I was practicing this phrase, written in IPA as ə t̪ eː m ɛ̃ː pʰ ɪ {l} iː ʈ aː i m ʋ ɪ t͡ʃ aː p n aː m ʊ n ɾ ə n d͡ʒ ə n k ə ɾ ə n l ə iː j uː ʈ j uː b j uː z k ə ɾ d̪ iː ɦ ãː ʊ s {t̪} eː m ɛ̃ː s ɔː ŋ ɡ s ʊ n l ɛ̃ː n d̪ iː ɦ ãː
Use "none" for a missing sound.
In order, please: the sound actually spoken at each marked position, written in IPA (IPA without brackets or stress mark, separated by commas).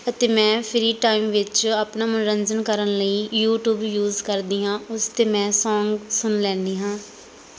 ɾ, t̪